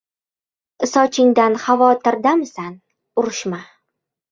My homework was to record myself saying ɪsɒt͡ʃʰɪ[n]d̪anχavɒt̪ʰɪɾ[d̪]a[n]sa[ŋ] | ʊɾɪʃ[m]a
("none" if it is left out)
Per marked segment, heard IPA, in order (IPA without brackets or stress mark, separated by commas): ŋ, d̪, m, n, m